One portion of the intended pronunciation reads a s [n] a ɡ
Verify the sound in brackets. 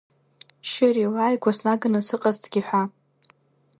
correct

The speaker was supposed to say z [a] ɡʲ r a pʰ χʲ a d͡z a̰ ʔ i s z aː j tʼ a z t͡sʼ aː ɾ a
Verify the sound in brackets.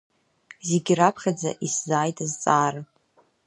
incorrect: e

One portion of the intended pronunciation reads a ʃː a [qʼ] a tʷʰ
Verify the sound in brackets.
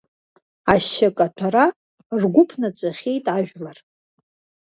incorrect: kʼ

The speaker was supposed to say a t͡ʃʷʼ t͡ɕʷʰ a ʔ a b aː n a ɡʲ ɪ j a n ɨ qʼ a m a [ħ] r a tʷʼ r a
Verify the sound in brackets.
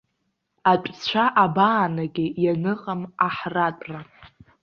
correct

